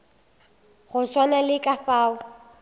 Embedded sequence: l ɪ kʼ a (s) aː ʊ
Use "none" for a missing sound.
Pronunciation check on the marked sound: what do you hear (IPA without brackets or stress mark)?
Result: f